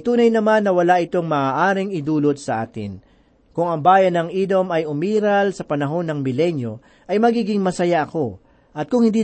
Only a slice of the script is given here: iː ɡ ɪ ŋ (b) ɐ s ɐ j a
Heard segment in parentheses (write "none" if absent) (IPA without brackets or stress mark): m